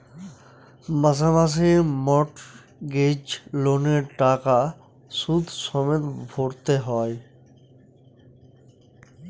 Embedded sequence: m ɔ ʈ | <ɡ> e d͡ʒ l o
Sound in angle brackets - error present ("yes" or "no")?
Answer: no